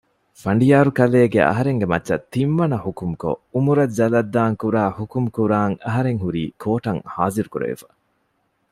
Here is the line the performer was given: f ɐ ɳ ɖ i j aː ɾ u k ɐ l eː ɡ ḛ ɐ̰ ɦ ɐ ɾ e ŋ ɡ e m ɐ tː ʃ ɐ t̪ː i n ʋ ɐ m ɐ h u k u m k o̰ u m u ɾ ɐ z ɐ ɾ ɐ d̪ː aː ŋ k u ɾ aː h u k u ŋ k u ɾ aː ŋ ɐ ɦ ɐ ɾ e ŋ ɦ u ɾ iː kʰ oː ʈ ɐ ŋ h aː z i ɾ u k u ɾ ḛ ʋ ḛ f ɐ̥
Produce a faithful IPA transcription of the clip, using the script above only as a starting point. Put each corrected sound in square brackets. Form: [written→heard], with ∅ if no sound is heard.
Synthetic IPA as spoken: f ɐ ɳ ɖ i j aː ɾ u k ɐ l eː ɡ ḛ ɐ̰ ɦ ɐ ɾ e ŋ ɡ e m ɐ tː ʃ ɐ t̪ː i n ʋ ɐ [m→n] ɐ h u k u m k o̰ u m u ɾ ɐ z ɐ [ɾ→l] ɐ d̪ː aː ŋ k u ɾ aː h u k u [ŋ→m] k u ɾ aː ŋ ɐ ɦ ɐ ɾ e ŋ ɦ u ɾ iː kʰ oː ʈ ɐ ŋ h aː z i ɾ u k u ɾ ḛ ʋ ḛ f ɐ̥